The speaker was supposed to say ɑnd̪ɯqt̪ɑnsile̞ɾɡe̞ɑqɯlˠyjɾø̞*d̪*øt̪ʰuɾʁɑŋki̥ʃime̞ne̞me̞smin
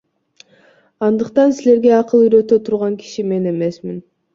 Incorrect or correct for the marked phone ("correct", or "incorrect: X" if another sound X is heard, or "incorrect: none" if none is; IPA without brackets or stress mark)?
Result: incorrect: t̪